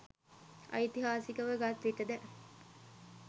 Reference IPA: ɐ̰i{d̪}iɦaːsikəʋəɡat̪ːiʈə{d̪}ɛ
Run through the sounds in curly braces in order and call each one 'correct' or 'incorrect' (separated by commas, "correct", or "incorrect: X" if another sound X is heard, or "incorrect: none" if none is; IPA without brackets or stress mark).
incorrect: t̪, correct